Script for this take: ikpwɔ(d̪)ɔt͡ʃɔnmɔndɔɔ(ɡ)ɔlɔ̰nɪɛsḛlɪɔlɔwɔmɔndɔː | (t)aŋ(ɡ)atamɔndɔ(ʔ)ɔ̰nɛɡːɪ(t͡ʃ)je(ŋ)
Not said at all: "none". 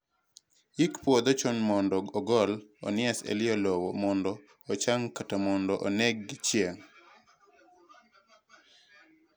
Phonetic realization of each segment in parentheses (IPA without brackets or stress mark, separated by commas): d̪, ɡ, t͡ʃ, k, ʔ, t͡ʃ, ŋ